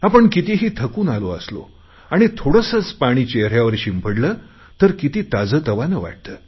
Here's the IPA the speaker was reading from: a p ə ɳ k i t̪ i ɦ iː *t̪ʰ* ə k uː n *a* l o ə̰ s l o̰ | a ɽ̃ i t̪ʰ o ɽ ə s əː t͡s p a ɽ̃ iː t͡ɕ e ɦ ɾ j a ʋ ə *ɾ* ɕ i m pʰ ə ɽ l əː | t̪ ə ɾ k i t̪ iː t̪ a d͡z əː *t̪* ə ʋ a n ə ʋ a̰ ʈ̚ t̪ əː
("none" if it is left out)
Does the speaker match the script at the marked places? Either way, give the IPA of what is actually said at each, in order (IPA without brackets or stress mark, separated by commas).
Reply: t̪ʰ, a, ɾ, t̪